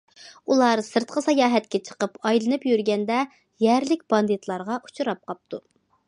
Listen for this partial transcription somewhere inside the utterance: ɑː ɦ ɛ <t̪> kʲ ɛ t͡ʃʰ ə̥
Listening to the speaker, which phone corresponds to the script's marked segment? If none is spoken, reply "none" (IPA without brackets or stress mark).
t̪